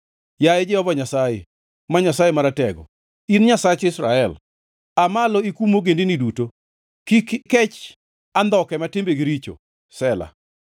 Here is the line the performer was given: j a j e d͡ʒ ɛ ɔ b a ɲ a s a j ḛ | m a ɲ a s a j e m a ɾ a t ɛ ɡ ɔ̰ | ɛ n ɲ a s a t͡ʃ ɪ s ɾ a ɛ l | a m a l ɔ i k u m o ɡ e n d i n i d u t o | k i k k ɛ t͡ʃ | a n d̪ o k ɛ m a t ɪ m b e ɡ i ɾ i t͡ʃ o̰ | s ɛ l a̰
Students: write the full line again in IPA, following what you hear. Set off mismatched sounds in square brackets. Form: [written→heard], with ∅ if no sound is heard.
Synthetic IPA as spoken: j a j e d͡ʒ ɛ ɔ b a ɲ a s a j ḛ | m a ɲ a s a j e m a ɾ a t ɛ ɡ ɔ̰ | [ɛ→i] n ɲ a s a t͡ʃ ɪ s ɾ a ɛ l | a m a l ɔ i k u m o ɡ e n d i n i d u t o | k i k k ɛ t͡ʃ | a n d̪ [o→ɔ] k ɛ m a t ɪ m b e ɡ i ɾ i t͡ʃ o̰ | s ɛ l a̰